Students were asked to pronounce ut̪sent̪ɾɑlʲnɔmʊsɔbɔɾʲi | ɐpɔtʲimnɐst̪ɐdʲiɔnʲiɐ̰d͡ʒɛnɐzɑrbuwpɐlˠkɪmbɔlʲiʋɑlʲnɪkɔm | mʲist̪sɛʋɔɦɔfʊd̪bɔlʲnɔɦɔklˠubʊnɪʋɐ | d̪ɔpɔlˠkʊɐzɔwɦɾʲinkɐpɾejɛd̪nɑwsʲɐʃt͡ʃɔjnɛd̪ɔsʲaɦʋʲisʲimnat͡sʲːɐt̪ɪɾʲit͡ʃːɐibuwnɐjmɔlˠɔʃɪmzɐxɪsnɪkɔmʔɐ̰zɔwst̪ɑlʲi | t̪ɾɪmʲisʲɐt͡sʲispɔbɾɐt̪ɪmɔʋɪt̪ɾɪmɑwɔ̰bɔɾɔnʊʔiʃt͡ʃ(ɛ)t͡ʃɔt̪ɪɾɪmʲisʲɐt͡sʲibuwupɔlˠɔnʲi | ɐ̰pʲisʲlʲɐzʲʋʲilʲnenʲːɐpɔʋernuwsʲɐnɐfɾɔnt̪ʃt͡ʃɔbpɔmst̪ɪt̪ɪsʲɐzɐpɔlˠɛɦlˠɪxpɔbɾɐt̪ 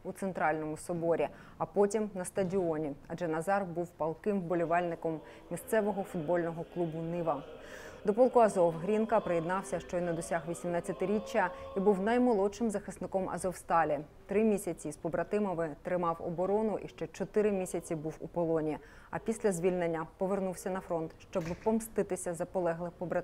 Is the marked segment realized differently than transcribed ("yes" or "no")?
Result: no